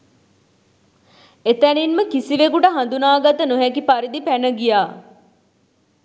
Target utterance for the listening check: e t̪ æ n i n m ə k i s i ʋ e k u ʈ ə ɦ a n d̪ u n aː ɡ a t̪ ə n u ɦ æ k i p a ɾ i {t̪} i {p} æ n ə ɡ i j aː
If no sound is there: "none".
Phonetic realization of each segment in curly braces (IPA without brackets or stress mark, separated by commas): d̪, p